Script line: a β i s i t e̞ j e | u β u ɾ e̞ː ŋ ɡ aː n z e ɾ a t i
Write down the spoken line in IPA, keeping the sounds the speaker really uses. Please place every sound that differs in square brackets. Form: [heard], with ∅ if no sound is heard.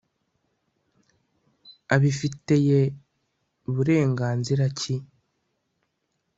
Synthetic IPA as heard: a β i [f] i t e̞ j e | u β u ɾ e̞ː ŋ ɡ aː n z [i] ɾ a [c] i

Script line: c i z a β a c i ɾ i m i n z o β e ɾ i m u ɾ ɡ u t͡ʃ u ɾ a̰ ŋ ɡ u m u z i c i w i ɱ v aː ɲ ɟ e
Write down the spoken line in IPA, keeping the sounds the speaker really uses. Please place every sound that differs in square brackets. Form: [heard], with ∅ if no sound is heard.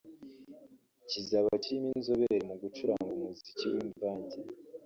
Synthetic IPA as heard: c i z a β a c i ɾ i m i n z o β e ɾ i m u [∅] ɡ u t͡ʃ u ɾ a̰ ŋ ɡ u m u z i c i w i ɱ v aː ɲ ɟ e

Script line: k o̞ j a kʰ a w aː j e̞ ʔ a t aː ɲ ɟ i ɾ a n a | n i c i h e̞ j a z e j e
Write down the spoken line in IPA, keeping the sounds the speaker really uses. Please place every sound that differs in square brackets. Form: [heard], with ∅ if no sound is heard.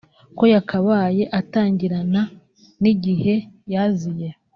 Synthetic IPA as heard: k o̞ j a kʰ a [β] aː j e̞ ʔ a t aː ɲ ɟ i ɾ a n a | n i [ɟ] i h e̞ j a z [i] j e

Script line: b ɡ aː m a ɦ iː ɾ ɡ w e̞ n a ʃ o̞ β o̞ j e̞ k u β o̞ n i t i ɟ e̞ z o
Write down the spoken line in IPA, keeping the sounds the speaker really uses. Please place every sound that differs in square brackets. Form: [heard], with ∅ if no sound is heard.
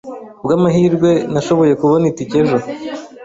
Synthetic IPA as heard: b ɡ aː m a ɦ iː ɾ ɡ w e̞ n a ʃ o̞ β o̞ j e̞ k u β o̞ n i t i [c] e̞ [ʒ] o

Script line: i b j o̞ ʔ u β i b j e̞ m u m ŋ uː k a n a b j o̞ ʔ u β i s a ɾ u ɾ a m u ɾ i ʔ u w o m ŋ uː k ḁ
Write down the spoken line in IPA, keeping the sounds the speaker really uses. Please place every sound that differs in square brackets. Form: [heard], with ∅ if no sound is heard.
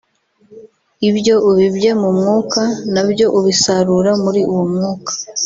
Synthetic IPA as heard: i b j o̞ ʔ u β i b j e̞ m u m ŋ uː k a n a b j o̞ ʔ u β i s a ɾ u ɾ a m u ɾ i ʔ u w o m ŋ uː k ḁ

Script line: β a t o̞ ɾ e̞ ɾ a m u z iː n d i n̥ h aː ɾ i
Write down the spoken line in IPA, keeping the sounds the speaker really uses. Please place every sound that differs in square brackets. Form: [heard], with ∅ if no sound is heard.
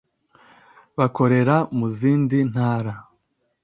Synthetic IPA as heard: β a [k] o̞ ɾ e̞ ɾ a m u z iː n d i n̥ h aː ɾ [a]

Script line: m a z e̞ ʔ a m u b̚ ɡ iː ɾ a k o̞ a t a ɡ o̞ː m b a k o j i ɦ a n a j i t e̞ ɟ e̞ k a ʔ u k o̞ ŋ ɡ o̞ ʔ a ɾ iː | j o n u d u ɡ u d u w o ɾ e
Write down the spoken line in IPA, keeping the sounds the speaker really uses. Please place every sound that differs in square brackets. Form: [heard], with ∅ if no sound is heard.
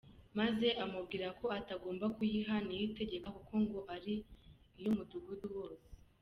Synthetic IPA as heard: m a z e̞ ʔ a m u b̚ ɡ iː ɾ a k o̞ a t a ɡ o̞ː m b a k [u] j i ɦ a n [i] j i t e̞ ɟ e̞ k a [k] u k o̞ ŋ ɡ o̞ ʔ a ɾ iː | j o [m] u d u ɡ u d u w o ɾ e

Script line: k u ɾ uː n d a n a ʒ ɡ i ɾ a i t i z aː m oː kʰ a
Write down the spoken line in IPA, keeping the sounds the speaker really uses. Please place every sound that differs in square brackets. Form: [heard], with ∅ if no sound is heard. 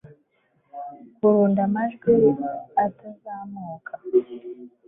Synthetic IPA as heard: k u ɾ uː n d a [m] a ʒ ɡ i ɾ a [a] t [a] z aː m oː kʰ a

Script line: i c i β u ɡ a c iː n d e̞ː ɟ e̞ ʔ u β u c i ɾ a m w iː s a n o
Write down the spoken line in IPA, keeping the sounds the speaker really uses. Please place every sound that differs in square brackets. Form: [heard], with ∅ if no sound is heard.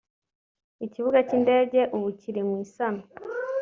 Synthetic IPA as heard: i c i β u ɡ a c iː n d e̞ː ɟ e̞ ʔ u β u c i ɾ [i] m w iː s a n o

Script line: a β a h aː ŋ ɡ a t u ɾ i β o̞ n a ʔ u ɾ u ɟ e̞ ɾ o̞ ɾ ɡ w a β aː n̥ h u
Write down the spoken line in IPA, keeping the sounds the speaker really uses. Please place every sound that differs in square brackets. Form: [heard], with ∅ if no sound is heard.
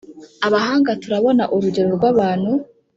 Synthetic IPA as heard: a β a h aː ŋ ɡ a t u ɾ [a] β o̞ n a ʔ u ɾ u ɟ e̞ ɾ o̞ ɾ ɡ w a β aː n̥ h u

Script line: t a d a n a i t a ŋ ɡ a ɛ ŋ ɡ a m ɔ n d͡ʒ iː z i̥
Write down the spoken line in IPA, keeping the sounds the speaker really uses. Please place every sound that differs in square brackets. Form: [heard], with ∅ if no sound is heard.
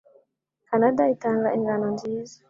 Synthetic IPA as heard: [k] a [n] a [d] a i t a ŋ ɡ a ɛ ŋ ɡ a [n] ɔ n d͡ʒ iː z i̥

